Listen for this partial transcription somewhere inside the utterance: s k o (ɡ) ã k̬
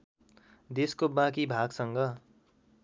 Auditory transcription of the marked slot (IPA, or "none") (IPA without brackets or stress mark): b